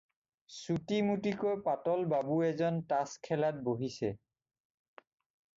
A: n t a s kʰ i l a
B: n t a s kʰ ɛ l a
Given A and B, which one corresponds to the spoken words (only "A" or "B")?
B